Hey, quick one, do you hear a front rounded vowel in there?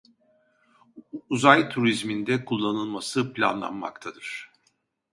no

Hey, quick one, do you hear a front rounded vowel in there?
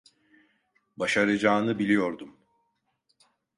no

